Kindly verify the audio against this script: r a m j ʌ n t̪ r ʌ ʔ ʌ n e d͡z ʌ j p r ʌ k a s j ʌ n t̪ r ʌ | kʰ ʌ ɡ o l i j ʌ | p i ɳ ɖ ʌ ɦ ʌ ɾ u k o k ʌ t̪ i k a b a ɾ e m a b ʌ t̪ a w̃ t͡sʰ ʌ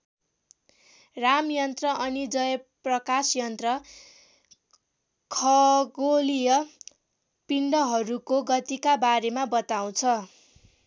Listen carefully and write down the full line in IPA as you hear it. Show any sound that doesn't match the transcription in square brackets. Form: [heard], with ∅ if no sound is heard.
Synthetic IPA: r a m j ʌ n t̪ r ʌ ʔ ʌ n [i] d͡z ʌ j p r ʌ k a s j ʌ n t̪ r ʌ | kʰ ʌ ɡ o l i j ʌ | p i ɳ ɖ ʌ ɦ ʌ ɾ u k o [ɡ] ʌ t̪ i k a b a ɾ e m a b ʌ t̪ a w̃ t͡sʰ ʌ